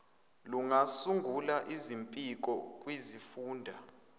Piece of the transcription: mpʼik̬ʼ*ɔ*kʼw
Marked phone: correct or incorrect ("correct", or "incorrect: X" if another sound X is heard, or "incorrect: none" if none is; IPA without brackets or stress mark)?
correct